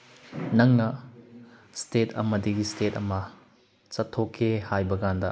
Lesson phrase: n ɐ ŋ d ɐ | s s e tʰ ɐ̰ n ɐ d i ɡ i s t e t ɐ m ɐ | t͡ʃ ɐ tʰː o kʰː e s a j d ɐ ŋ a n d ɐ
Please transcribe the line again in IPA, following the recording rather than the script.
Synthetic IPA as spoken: n ɐ ŋ n ɐ | s t e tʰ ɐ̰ m ɐ d i ɡ i s t e t ɐ m ɐ | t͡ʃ ɐ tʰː o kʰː e h a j b ɐ ɡ a n d ɐ